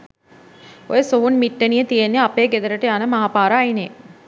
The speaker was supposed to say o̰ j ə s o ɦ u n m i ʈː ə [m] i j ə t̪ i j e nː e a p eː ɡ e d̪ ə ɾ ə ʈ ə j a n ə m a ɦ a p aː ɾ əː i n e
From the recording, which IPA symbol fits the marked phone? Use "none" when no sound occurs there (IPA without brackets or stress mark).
n